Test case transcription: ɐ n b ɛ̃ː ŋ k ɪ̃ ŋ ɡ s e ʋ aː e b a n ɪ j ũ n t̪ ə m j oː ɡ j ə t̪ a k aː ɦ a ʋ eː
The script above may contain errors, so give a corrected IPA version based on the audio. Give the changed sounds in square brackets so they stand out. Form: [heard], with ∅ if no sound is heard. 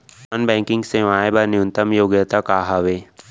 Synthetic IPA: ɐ n b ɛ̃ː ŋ k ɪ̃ ŋ ɡ s e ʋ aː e b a n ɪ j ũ n t̪ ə m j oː ɡ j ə t̪ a k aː ɦ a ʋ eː